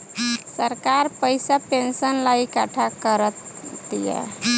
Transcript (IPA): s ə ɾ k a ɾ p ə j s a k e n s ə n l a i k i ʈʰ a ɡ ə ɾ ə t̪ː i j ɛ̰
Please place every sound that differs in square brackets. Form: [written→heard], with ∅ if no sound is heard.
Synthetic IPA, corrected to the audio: s ə ɾ k a ɾ p ə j s a [k→p] e n s ə n l a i k [i→a] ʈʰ a [ɡ→k] ə ɾ ə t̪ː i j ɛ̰